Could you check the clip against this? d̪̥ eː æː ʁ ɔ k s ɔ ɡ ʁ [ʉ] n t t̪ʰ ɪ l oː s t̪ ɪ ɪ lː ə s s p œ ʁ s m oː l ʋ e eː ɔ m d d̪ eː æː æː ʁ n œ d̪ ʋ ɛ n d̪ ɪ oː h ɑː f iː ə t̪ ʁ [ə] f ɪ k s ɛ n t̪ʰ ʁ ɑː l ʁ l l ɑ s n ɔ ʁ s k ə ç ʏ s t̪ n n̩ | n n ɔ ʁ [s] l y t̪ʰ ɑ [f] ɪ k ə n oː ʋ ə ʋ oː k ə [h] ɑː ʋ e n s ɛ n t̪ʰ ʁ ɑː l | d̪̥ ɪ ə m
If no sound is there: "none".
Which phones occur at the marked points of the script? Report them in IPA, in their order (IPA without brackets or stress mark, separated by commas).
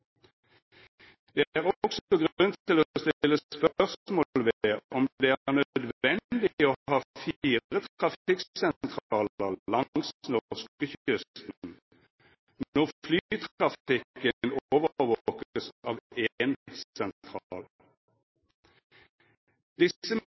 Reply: ʉ, ɑ, f, f, s